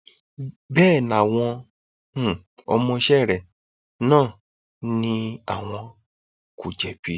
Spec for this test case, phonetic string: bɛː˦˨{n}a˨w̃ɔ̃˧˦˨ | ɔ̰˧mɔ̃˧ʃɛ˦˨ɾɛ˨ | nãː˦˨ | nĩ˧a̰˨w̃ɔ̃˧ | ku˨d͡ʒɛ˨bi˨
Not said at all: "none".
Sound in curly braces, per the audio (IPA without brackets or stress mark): n